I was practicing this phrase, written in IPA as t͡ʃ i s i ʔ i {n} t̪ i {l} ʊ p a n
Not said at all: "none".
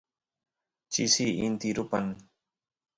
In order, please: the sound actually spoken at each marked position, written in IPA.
n, ɾ

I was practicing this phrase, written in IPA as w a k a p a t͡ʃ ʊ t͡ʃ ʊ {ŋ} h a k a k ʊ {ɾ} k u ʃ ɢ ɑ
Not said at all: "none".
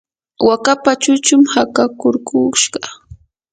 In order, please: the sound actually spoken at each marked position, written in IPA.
m, ɾ

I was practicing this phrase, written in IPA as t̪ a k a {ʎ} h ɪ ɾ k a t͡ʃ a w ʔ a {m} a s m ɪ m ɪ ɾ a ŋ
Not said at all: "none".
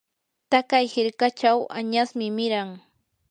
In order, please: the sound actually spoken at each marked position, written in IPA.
j, ɲ

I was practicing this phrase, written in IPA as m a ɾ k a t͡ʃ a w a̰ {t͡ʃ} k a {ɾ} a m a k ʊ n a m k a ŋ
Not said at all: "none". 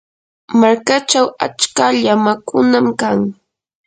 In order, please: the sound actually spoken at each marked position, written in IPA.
t͡ʃ, ʎ

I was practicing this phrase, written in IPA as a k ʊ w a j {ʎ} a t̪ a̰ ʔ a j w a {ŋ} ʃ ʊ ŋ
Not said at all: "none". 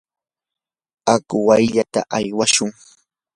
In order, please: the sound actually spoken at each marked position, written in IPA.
ʎ, none

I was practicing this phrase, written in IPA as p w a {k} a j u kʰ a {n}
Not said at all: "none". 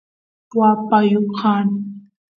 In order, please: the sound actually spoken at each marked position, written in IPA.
p, n

